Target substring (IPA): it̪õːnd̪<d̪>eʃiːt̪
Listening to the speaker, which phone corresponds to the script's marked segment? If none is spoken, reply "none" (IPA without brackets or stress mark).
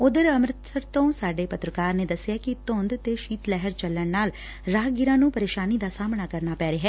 t̪